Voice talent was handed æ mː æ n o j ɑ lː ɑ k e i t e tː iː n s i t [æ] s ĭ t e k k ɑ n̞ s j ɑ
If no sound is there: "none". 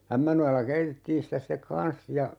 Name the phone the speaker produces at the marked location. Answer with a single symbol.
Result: æ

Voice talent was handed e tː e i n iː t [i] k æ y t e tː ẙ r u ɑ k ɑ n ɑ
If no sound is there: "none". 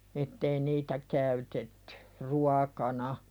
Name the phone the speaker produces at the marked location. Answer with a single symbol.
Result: æ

